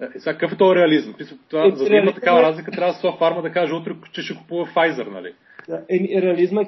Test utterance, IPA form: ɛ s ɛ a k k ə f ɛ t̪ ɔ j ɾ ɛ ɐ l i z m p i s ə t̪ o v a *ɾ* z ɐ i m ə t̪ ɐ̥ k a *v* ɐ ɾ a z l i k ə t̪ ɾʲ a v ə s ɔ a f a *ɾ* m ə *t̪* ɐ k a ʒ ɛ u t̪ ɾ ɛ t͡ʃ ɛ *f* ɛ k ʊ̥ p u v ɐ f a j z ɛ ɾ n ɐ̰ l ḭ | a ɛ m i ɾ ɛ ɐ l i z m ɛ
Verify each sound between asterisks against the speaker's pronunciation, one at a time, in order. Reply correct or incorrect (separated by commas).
incorrect, correct, correct, incorrect, incorrect